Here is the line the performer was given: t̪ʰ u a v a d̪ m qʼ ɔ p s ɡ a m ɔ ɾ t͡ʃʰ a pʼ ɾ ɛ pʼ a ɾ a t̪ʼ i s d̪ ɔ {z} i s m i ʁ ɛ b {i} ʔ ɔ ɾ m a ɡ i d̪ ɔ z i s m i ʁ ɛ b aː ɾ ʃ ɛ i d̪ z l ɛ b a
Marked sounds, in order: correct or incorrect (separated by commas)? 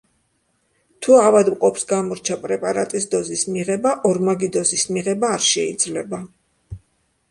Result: correct, incorrect